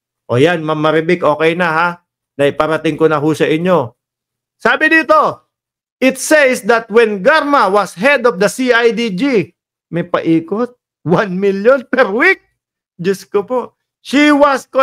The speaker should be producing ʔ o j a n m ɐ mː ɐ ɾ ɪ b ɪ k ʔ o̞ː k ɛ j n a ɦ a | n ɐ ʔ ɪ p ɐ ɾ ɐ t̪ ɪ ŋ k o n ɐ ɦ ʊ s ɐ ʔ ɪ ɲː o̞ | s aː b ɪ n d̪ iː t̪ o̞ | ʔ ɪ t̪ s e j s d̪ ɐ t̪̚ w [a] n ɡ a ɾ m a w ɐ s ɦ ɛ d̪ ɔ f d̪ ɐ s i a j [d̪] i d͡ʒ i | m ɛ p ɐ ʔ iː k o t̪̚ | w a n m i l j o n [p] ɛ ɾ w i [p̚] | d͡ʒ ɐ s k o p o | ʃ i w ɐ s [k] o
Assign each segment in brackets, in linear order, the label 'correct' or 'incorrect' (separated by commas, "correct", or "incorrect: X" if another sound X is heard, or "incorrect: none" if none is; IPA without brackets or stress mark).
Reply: incorrect: ɛ, correct, correct, incorrect: k̚, correct